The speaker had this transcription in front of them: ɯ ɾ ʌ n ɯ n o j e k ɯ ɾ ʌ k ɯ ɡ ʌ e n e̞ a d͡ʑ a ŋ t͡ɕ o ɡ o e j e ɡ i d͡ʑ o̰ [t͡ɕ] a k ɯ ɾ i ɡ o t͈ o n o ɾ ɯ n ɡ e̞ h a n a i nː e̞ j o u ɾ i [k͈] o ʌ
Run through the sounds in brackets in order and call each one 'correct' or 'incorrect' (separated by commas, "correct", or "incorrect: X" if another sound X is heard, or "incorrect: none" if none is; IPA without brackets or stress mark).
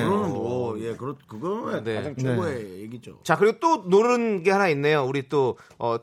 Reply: correct, incorrect: t͈